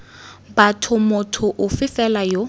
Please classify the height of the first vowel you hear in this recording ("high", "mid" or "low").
low